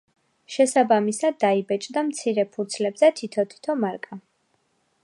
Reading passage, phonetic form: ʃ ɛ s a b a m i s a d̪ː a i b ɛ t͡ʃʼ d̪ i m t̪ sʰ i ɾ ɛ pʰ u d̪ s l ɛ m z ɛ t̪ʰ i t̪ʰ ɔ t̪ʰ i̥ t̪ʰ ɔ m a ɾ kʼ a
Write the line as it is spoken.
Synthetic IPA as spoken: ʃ ɛ s a b a m i s a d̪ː a i b ɛ t͡ʃʼ d̪ a m t̪ sʰ i ɾ ɛ pʰ u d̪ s l ɛ b z ɛ t̪ʰ i t̪ʰ ɔ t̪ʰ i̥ t̪ʰ ɔ m a ɾ kʼ a